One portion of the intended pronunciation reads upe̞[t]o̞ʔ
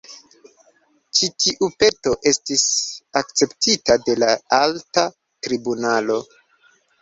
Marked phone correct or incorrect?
correct